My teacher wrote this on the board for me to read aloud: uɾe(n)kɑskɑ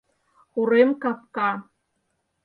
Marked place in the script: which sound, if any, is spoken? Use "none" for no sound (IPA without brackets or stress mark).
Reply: m